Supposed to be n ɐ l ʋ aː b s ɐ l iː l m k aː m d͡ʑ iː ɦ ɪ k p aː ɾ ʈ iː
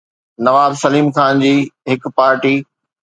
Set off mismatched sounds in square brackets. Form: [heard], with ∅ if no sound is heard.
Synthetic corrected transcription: n ɐ [∅] ʋ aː b s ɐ l iː [∅] m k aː [n] d͡ʑ iː ɦ ɪ k p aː ɾ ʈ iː